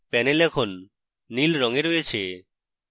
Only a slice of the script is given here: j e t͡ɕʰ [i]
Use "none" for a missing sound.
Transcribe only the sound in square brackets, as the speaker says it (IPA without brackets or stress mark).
e